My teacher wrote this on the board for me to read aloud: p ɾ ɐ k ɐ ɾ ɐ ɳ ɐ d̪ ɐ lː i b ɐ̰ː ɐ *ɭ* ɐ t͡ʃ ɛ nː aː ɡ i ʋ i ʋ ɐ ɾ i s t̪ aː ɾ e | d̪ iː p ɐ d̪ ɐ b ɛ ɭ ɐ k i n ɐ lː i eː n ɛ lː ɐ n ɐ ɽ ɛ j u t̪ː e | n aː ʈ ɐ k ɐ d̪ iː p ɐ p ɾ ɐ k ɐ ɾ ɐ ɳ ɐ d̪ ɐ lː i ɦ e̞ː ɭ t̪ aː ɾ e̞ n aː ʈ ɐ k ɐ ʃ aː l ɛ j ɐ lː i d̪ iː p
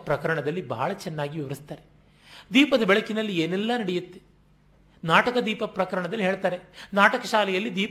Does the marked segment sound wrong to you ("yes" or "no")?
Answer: no